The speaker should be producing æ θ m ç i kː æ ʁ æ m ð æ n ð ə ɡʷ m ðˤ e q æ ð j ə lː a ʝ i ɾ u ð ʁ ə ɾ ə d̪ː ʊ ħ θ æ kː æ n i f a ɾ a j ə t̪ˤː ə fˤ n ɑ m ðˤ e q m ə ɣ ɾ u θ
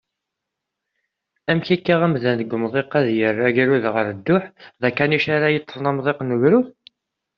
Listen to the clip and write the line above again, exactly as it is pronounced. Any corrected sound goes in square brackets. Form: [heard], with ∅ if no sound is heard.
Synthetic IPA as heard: æ [∅] m ç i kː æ ʁ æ m ð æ n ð ə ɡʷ m ðˤ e q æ ð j ə [rː] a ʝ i ɾ u ð ʁ ə ɾ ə d̪ː ʊ ħ [ð] æ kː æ n i [ʃ] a ɾ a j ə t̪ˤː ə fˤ n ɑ m ðˤ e q [n] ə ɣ ɾ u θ